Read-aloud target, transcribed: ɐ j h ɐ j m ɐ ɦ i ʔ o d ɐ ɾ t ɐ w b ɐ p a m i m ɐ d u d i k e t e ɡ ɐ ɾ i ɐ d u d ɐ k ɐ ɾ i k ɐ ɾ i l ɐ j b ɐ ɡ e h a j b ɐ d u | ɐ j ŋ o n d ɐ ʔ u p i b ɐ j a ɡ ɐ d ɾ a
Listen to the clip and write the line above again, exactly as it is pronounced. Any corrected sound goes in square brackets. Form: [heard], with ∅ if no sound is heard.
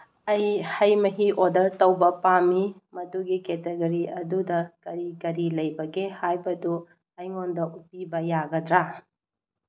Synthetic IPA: ɐ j h ɐ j m ɐ ɦ i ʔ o d ɐ ɾ t ɐ w b ɐ p a m i m ɐ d u [ɡ] i k e t e ɡ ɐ ɾ i ɐ d u d ɐ k ɐ ɾ i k ɐ ɾ i l ɐ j b ɐ ɡ e h a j b ɐ d u | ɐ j ŋ o n d ɐ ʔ u p i b ɐ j a ɡ ɐ d ɾ a